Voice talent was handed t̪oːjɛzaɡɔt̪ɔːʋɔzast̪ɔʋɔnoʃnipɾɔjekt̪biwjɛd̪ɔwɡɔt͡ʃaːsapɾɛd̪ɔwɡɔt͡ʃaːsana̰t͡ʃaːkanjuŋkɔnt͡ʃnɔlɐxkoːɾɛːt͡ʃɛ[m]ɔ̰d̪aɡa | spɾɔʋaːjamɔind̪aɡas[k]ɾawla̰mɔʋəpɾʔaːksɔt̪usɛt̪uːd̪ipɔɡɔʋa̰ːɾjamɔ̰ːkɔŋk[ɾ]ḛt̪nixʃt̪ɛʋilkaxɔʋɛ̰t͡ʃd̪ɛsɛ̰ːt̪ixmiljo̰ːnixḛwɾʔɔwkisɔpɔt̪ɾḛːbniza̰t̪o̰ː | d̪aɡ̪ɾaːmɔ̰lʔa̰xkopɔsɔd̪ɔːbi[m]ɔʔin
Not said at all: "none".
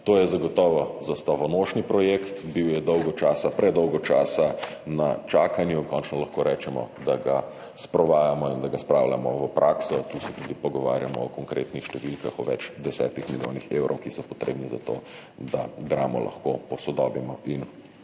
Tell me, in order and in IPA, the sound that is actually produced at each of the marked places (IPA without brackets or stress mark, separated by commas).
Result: m, p, ɾ, m